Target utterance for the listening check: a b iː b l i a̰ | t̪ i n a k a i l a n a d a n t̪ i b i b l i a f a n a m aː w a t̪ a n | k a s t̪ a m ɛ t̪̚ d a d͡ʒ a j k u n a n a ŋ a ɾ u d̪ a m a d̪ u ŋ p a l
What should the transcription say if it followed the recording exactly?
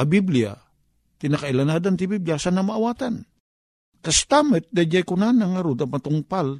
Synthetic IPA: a b i b l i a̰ | t̪ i n a k a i l a n a d a n t̪ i b i b l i a s a n a m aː w a t̪ a n | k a s t̪ a m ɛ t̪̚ d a d͡ʒ a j k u n a n a ŋ a ɾ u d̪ a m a t̪ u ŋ p a l